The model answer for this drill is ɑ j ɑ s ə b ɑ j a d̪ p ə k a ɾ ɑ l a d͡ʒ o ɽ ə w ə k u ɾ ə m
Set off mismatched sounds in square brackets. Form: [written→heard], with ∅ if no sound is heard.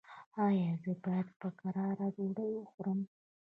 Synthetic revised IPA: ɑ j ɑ [s→z] ə b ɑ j a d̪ p ə k a ɾ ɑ [l→ɾ] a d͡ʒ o ɽ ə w ə [k→x] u ɾ ə m